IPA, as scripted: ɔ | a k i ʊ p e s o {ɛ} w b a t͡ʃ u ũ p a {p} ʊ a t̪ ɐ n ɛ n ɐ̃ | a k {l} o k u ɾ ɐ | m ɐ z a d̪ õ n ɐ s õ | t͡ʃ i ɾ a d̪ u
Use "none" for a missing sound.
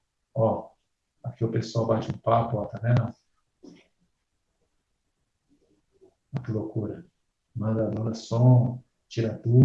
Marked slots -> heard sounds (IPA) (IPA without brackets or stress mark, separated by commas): a, p, l